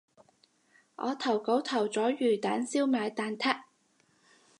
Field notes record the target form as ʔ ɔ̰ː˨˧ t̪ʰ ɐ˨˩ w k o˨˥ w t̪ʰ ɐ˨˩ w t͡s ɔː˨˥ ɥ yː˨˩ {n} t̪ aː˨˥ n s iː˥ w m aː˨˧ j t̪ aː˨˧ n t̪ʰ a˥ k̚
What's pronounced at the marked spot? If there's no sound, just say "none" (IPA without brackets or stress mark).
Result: none